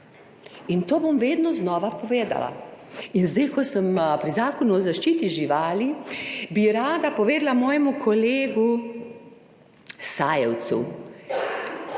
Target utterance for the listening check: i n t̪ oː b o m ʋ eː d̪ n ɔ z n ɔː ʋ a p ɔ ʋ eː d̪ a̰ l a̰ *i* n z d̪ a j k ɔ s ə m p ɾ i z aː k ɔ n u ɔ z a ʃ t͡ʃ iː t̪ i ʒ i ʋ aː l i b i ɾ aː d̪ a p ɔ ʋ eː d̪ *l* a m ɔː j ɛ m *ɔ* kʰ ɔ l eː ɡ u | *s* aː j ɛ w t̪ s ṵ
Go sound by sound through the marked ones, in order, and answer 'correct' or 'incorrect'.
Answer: correct, correct, incorrect: u, correct

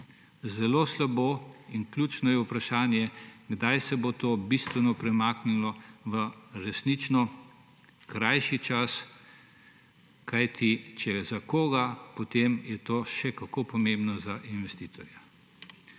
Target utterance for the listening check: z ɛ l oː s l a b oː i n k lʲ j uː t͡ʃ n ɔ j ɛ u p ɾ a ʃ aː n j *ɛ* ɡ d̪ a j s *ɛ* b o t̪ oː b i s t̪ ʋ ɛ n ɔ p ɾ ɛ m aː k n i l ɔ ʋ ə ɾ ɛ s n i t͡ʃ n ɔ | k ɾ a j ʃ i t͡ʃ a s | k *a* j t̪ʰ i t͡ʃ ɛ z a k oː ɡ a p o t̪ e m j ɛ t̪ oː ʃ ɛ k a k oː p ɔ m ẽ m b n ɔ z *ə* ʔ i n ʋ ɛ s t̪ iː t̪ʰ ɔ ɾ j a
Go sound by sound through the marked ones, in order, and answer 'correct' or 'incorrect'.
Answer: correct, correct, correct, incorrect: a

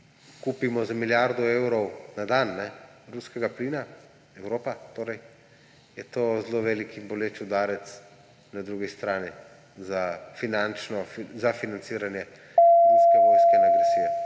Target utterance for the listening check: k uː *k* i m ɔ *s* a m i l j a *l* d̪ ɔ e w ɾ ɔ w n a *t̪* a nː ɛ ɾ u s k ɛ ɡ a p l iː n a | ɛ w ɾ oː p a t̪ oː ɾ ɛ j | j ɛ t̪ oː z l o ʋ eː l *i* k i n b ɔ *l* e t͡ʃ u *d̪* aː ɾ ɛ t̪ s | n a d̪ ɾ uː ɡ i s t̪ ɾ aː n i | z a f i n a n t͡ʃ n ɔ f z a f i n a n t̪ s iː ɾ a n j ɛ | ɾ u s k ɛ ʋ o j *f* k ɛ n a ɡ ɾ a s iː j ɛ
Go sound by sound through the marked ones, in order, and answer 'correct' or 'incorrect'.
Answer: incorrect: p, incorrect: z, incorrect: ɾ, incorrect: d̪, correct, correct, correct, incorrect: s

